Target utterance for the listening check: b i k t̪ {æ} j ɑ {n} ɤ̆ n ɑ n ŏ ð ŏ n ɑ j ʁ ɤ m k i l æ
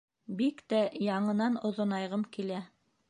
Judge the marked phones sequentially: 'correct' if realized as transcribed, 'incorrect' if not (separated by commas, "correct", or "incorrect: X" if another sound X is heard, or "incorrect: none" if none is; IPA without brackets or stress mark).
correct, incorrect: ɴ